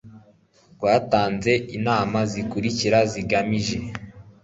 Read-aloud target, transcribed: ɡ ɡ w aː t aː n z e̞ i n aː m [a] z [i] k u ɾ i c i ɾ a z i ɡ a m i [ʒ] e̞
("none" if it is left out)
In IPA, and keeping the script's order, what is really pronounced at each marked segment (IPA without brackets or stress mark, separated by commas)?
a, i, ʒ